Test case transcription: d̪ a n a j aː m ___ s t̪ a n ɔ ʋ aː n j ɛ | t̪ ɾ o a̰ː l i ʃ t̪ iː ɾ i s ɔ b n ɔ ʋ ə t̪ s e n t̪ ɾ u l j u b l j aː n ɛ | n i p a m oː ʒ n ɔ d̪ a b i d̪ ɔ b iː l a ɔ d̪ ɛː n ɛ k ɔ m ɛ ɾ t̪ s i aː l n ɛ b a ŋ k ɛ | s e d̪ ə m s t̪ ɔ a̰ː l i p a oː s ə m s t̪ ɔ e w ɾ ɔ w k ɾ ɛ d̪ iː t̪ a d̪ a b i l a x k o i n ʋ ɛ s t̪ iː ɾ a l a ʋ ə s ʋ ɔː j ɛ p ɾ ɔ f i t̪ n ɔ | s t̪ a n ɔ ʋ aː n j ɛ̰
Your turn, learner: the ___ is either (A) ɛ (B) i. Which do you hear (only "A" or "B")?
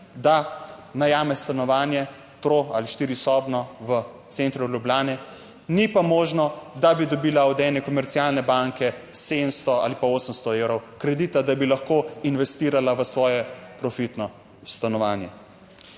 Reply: A